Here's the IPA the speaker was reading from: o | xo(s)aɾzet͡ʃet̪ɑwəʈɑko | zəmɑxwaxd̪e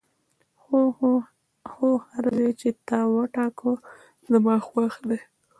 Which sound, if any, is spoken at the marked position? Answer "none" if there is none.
h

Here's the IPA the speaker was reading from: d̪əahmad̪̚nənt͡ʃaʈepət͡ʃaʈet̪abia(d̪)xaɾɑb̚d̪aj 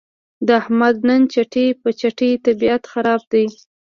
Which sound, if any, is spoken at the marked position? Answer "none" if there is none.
t̪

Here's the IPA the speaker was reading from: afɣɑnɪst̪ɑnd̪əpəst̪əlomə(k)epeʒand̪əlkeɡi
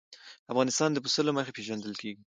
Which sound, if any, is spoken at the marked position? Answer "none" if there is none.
x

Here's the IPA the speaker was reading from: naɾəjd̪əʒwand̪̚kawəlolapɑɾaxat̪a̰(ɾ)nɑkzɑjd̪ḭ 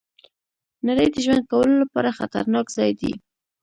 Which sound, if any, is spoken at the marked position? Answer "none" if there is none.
ɾ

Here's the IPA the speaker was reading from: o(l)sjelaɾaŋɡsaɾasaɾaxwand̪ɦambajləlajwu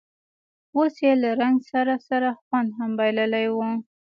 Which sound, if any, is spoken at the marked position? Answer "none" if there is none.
none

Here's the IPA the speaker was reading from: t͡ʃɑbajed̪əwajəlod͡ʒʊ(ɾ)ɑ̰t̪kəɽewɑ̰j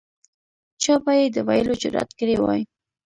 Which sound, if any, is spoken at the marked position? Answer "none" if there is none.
ɾ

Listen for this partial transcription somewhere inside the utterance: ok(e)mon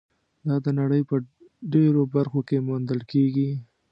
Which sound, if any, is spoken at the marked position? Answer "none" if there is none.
e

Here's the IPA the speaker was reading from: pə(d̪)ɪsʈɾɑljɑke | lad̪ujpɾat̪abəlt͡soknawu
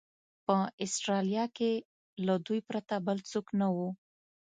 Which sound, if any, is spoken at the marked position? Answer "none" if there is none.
none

